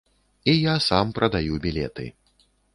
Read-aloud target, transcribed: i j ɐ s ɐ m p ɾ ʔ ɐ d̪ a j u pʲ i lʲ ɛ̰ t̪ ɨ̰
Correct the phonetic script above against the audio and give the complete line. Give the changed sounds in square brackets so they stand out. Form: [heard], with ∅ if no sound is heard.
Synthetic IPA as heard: i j [a] s [a] m p ɾ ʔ ɐ d̪ a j u [bʲ] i lʲ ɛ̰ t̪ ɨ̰